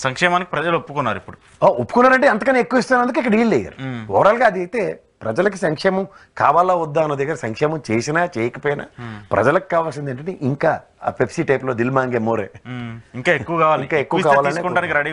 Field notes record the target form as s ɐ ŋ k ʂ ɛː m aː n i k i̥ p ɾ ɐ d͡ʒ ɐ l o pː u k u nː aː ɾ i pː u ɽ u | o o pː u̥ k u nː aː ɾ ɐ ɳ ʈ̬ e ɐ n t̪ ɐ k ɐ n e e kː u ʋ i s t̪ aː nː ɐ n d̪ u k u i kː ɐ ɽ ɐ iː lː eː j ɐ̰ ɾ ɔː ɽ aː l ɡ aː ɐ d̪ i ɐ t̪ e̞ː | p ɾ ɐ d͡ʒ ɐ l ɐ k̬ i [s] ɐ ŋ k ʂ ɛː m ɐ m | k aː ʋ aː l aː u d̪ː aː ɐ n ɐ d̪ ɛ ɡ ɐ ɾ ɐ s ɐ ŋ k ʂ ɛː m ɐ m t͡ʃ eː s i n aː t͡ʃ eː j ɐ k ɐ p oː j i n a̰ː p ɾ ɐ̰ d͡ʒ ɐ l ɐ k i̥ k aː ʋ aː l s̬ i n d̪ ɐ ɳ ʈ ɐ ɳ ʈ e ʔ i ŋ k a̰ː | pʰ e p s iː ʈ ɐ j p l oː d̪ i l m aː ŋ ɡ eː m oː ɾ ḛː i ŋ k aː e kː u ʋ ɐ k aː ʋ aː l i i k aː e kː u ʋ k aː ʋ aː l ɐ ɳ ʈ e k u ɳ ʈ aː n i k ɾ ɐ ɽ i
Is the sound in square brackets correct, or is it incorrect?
correct